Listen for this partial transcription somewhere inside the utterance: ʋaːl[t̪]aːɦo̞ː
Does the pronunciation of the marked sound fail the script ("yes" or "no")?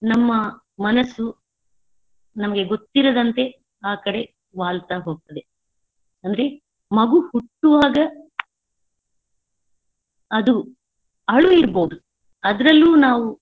no